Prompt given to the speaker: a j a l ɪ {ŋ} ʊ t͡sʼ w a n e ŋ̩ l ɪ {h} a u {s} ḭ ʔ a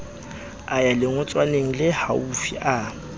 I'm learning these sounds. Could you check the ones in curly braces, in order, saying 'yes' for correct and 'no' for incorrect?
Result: yes, yes, no

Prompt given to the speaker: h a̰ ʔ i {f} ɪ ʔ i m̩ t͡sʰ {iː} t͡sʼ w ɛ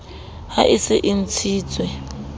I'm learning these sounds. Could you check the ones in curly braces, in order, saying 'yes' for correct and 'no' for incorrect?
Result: no, yes

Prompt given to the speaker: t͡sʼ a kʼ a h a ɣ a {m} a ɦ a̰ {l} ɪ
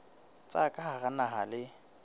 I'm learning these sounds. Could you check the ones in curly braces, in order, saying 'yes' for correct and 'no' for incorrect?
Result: no, yes

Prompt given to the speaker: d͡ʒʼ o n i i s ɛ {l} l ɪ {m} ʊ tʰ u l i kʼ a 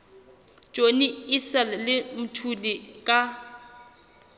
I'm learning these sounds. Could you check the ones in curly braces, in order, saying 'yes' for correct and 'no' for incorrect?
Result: yes, yes

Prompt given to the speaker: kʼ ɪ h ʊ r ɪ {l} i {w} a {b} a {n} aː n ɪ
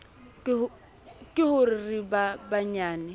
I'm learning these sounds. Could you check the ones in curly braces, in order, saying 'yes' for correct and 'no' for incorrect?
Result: no, no, yes, no

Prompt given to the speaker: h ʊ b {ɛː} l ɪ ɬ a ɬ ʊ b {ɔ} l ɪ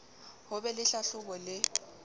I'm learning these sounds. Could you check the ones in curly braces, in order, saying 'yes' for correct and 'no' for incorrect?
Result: no, yes

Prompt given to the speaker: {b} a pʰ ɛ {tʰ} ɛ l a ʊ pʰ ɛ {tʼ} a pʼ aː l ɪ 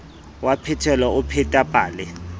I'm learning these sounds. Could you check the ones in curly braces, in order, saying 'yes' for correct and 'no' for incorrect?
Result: no, yes, yes

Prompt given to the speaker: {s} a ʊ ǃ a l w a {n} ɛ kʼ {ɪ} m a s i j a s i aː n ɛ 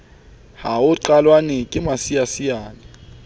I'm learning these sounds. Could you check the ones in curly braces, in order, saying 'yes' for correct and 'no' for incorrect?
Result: no, yes, yes

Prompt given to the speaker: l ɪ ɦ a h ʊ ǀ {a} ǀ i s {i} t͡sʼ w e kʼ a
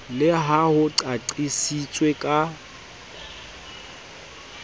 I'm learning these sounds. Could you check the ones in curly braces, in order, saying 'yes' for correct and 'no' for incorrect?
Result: yes, yes

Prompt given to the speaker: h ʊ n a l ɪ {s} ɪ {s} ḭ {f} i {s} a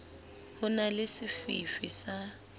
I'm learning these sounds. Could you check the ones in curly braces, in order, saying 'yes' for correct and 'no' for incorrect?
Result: yes, no, yes, yes

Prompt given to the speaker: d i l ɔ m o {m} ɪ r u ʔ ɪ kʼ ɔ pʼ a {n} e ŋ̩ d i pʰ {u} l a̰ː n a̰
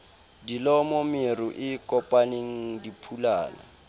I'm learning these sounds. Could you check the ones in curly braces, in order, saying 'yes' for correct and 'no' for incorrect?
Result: yes, yes, yes

